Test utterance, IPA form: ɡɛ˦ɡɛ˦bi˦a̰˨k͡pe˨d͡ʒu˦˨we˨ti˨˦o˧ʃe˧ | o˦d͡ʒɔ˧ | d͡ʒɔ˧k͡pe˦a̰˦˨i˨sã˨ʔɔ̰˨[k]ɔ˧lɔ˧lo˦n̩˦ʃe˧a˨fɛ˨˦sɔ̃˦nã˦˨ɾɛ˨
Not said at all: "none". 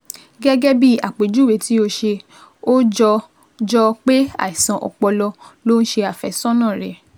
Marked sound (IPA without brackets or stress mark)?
k͡p